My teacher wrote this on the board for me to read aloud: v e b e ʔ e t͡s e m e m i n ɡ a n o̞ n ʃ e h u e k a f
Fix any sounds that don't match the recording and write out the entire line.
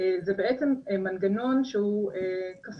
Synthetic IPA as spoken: z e b e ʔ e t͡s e m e m a n ɡ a n o̞ n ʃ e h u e k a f